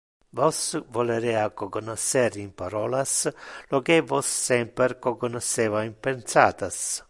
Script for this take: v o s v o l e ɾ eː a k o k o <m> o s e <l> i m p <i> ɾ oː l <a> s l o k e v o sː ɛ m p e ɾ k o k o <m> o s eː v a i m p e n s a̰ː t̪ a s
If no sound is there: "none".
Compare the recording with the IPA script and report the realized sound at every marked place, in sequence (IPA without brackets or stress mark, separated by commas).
n, ɾ, a, a, n